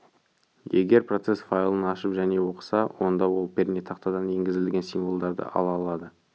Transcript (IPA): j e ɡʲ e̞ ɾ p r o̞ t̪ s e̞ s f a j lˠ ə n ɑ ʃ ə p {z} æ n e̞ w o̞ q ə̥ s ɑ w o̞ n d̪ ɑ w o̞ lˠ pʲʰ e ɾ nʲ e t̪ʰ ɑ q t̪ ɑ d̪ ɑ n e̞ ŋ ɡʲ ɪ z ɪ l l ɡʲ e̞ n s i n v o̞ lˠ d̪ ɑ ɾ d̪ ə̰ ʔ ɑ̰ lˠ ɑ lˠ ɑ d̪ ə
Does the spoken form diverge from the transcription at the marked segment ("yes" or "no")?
yes